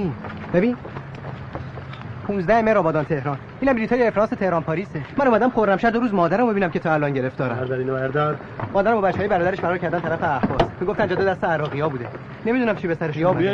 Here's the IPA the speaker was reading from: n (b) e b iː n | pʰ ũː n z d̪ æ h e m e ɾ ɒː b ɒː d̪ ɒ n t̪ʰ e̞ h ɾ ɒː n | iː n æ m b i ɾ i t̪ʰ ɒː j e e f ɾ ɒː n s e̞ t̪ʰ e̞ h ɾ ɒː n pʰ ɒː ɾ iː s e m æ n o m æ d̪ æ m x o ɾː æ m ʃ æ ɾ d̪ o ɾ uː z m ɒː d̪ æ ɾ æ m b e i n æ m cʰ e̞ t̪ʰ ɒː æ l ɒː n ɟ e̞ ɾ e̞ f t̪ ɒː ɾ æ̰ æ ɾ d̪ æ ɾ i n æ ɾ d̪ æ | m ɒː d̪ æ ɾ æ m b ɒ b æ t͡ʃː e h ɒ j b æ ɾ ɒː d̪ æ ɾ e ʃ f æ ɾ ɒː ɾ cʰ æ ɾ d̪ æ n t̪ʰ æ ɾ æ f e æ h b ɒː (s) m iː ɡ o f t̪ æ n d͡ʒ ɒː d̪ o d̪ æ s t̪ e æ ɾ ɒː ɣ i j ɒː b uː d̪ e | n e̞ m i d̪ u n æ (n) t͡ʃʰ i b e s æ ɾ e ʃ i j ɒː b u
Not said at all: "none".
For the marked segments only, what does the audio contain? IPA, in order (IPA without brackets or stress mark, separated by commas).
b, s, m